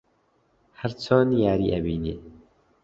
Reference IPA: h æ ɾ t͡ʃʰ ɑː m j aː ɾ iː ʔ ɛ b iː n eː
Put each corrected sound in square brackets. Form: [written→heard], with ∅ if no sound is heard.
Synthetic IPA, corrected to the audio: h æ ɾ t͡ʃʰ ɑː [m→n] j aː ɾ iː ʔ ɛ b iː n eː